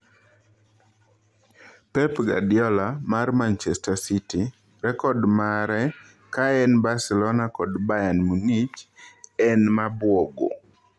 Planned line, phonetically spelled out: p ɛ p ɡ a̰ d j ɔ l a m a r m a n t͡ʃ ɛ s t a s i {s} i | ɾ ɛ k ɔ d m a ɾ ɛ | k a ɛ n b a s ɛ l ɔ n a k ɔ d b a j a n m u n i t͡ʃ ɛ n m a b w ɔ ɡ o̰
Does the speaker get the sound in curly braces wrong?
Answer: yes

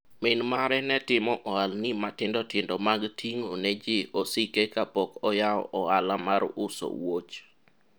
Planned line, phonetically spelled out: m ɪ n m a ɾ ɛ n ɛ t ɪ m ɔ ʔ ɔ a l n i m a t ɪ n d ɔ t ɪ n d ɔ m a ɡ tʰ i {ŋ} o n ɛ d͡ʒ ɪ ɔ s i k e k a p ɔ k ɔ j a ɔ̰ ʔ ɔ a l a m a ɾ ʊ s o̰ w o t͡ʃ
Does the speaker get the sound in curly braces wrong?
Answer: no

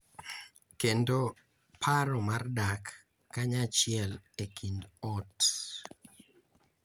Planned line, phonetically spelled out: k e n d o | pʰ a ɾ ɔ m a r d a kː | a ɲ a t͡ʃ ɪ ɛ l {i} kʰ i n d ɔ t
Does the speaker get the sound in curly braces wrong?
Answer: yes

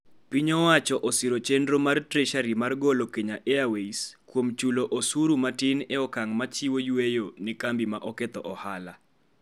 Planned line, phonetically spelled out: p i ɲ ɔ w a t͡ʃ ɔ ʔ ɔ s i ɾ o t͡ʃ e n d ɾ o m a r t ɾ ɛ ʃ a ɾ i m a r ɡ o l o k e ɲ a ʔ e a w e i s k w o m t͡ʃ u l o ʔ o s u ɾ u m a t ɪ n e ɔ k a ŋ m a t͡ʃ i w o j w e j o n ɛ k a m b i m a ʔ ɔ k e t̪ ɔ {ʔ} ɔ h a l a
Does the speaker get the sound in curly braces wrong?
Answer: no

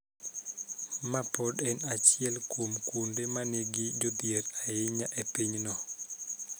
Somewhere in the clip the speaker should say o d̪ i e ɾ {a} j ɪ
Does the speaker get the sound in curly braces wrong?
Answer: no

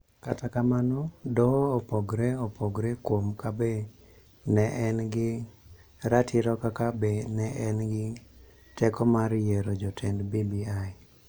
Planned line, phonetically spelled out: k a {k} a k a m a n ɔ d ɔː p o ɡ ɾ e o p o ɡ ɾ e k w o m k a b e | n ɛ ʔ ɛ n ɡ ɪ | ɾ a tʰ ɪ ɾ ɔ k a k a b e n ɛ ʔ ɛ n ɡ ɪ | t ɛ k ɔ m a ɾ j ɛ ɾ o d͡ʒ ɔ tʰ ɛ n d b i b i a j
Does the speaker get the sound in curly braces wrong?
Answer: yes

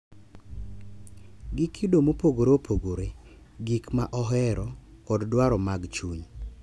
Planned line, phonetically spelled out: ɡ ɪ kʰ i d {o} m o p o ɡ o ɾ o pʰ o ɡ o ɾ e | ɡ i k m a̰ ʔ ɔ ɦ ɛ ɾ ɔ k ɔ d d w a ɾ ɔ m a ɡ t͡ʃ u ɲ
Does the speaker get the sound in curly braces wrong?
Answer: no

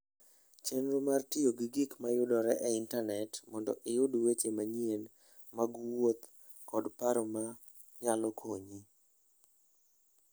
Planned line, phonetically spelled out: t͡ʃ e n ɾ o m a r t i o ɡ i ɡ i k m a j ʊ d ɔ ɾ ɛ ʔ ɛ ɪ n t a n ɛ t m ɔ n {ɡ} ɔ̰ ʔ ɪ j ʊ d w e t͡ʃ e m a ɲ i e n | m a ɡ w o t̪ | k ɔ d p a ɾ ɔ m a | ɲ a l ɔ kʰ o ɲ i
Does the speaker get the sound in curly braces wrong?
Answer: yes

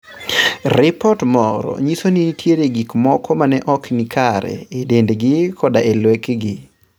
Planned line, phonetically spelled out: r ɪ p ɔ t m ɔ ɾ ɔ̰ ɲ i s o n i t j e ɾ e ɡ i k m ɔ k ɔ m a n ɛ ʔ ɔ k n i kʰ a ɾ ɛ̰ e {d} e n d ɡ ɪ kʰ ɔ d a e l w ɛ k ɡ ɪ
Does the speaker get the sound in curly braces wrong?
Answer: no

